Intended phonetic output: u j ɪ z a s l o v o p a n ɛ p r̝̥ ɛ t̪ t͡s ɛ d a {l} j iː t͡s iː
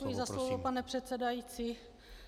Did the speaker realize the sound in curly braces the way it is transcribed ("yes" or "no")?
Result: no